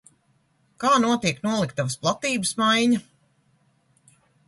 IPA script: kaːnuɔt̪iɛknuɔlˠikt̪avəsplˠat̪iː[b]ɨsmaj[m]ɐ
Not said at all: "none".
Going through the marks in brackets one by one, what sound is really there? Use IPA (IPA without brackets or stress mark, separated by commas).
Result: b, ɲ